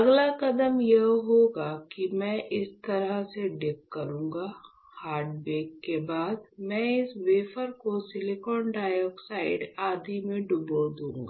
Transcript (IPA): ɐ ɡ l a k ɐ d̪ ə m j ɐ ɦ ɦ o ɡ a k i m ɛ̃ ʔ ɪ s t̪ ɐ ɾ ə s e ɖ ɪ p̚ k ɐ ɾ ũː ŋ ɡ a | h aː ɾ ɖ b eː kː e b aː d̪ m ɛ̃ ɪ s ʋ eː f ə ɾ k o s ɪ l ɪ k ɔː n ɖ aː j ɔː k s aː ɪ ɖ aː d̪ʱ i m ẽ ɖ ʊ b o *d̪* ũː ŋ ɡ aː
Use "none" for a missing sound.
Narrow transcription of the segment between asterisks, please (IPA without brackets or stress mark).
d̪